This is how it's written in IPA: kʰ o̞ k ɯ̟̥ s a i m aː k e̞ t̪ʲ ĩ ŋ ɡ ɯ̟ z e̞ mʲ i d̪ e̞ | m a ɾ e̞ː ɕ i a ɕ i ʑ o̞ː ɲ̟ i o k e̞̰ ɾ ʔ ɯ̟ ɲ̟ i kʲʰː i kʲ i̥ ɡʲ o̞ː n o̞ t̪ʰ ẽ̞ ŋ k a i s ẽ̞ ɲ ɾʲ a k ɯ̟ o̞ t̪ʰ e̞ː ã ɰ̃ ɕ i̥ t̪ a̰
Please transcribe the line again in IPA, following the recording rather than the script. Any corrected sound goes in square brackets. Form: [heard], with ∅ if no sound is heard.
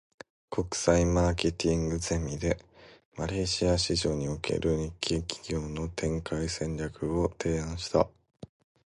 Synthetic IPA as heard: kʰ o̞ k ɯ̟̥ s a i m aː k e̞ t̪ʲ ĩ ŋ ɡ ɯ̟ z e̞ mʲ i d̪ e̞ | m a ɾ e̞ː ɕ i a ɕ i ʑ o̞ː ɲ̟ i o k e̞̰ ɾ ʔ ɯ̟ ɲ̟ i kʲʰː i kʲ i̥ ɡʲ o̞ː n o̞ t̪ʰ ẽ̞ ŋ k a i s ẽ̞ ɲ ɾʲ a k ɯ̟ o̞ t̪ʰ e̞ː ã ɰ̃ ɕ i̥ t̪ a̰